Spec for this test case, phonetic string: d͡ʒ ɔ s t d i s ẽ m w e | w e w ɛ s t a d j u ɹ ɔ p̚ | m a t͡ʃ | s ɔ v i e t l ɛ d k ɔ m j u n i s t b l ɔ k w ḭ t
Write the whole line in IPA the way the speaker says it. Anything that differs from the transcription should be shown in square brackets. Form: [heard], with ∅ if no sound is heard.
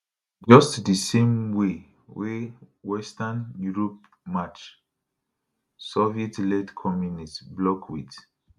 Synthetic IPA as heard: d͡ʒ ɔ s t d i s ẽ m w e | w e w ɛ s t a [n] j u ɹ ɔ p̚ | m a t͡ʃ | s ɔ v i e t l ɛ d [kʰ] ɔ m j u n i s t b l ɔ k w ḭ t